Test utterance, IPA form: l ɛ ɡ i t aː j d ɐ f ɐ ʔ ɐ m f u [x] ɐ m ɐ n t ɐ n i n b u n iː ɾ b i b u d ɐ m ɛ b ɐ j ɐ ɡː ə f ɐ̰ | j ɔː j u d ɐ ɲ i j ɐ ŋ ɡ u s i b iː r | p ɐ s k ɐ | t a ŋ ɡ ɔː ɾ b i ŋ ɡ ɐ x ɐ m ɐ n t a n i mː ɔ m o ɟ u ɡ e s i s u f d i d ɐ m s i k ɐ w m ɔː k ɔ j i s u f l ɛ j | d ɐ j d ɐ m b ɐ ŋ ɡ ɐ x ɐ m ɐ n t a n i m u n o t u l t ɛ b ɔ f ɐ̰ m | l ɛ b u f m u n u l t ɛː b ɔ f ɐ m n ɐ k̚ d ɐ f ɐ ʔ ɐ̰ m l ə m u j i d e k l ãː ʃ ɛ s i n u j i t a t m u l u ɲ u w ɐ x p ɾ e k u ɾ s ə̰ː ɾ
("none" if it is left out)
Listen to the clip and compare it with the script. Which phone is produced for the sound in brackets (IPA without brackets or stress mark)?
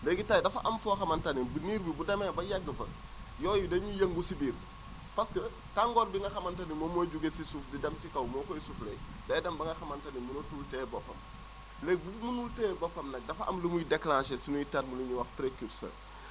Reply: x